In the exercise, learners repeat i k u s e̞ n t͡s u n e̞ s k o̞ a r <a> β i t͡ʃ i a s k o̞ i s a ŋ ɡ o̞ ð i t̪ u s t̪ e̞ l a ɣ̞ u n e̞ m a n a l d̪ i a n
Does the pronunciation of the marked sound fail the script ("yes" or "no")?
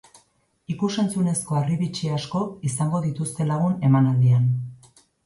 yes